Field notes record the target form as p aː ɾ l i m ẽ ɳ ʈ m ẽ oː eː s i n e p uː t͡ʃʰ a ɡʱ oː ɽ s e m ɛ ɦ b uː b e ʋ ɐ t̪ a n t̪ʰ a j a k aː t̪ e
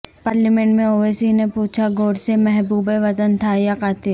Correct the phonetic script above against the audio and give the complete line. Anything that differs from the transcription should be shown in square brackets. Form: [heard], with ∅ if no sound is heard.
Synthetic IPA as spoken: p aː ɾ l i m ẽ ɳ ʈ m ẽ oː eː s i n e p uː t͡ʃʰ a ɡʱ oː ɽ s e m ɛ ɦ b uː b e ʋ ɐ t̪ [ə] n t̪ʰ a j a k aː t̪ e